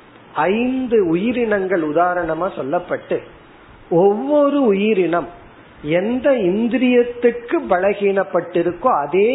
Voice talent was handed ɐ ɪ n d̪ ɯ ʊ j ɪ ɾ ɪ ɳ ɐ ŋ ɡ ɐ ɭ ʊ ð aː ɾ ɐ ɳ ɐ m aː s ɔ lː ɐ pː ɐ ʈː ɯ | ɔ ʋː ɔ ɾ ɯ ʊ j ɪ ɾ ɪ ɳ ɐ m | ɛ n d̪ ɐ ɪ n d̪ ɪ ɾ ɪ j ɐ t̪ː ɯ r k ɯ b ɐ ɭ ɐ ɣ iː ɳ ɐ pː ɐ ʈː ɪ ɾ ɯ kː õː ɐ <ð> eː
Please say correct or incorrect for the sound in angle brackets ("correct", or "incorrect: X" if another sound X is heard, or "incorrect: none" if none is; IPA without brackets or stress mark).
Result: correct